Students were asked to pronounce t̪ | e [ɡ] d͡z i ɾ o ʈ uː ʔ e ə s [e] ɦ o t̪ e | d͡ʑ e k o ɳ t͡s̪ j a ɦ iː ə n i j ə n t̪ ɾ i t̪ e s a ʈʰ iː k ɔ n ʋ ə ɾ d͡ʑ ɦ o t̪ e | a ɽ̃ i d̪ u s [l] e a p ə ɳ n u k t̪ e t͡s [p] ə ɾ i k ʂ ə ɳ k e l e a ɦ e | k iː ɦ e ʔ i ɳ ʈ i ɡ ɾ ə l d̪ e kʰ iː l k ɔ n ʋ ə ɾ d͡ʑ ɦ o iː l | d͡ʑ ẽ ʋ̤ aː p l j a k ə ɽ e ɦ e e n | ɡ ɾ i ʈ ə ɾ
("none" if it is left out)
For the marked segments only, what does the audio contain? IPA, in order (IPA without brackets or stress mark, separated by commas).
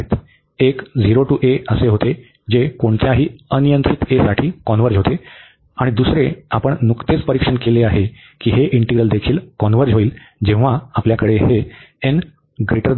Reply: k, e, ɾ, p